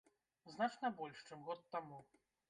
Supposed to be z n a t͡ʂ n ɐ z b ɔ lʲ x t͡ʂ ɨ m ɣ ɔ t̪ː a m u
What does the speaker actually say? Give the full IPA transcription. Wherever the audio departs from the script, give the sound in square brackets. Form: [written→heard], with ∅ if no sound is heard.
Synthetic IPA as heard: z n a t͡ʂ n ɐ [z→∅] b ɔ lʲ [x→ʂ] t͡ʂ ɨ m ɣ ɔ t̪ː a m u